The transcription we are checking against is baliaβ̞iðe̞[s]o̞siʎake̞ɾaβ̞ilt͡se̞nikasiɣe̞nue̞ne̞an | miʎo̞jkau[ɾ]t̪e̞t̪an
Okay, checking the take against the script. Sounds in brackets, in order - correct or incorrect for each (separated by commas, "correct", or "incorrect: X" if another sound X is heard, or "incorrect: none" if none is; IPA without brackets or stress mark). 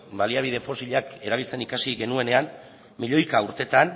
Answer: incorrect: f, correct